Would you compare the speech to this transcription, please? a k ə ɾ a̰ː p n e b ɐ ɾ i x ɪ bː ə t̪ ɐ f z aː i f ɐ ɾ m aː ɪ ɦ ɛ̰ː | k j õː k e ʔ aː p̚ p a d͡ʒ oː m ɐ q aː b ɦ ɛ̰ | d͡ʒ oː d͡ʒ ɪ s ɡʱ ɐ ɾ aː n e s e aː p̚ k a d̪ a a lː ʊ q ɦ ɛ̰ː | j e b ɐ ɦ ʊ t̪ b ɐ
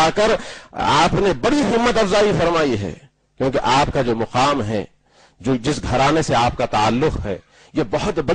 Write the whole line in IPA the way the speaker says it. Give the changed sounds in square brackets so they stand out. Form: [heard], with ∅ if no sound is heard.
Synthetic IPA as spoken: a k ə ɾ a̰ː p n e b ɐ [ɽ] i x ɪ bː ə t̪ ɐ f z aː i f ɐ ɾ m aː [i] ɦ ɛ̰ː | k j õː k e ʔ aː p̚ [k] a d͡ʒ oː m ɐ q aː [m] ɦ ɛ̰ | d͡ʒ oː d͡ʒ ɪ s ɡʱ ɐ ɾ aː n e s e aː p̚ k a [t̪] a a lː ʊ q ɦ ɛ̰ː | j e b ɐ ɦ ʊ t̪ b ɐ